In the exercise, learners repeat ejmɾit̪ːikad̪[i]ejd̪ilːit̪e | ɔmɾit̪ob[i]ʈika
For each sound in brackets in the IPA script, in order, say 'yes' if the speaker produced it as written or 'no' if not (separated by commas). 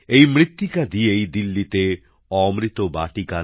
yes, no